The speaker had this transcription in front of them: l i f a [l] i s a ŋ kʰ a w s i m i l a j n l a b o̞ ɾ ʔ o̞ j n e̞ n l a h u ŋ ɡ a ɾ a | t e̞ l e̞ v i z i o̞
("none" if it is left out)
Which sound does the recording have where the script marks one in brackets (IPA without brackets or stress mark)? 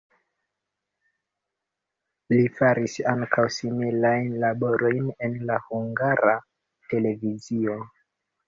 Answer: ɾ